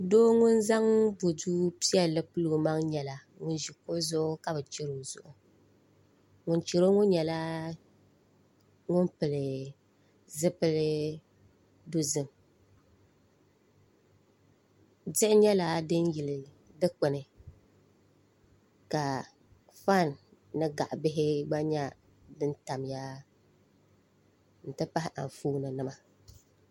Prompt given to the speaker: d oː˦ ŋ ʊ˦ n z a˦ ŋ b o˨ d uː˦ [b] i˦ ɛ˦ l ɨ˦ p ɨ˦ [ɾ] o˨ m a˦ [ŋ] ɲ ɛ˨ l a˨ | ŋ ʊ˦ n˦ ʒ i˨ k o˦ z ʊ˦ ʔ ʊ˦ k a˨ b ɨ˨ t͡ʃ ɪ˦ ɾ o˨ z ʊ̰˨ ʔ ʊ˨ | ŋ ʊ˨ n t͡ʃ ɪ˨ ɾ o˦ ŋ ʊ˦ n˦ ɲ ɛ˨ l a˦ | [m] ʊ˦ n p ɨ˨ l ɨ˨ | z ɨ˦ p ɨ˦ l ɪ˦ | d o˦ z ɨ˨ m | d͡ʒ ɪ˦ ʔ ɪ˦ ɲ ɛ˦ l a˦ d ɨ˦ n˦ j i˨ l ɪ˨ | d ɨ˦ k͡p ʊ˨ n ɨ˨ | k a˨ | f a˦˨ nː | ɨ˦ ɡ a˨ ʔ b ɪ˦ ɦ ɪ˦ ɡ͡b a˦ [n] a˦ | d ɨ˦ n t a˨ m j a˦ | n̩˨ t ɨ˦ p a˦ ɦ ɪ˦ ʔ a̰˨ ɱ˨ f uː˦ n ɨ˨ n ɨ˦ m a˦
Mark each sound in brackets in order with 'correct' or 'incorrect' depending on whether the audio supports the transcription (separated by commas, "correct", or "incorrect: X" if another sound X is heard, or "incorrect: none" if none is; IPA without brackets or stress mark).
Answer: incorrect: p, incorrect: l, correct, incorrect: ŋ, incorrect: ɲ